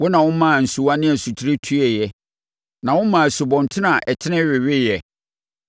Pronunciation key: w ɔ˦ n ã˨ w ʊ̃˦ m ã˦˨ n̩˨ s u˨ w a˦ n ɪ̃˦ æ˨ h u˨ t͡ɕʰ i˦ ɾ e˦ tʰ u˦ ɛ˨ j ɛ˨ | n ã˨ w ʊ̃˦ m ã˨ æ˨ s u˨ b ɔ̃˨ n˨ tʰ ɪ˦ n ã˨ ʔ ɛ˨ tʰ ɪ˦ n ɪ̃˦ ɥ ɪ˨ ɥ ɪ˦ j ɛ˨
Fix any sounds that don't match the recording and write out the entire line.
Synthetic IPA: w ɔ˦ n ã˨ w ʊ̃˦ m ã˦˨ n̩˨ s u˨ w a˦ n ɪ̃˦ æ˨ s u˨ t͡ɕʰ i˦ ɾ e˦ tʰ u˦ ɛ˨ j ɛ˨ | n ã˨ w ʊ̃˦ m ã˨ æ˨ s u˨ b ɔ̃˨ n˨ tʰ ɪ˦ n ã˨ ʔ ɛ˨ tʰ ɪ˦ n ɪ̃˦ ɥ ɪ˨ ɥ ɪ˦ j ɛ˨